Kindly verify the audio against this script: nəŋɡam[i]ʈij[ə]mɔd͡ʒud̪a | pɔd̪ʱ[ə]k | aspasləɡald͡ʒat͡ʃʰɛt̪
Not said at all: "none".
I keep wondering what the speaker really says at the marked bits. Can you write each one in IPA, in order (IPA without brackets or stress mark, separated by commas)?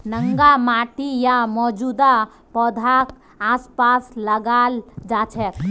a, a, a